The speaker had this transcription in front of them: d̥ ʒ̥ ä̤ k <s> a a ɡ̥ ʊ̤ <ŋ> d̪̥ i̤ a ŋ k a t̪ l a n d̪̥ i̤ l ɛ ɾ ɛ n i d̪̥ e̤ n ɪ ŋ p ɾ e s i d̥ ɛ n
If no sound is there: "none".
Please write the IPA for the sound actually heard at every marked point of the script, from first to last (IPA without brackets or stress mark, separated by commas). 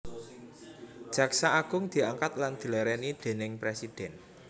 s, ŋ